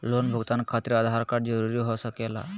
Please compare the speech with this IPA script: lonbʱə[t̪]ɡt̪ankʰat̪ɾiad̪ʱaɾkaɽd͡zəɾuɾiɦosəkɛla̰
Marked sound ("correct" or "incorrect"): incorrect